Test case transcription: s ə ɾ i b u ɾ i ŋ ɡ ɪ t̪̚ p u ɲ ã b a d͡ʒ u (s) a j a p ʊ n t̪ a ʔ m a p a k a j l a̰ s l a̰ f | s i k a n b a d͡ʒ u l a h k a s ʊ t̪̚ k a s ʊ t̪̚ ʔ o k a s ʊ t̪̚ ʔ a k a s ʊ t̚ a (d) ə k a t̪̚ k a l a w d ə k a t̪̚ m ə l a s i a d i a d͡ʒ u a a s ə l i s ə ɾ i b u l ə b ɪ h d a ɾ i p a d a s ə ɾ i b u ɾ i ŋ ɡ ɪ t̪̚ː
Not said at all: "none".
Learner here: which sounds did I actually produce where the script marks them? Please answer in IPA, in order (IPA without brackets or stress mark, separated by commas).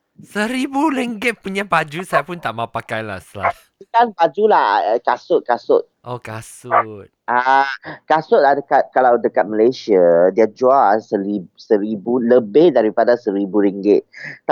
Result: s, d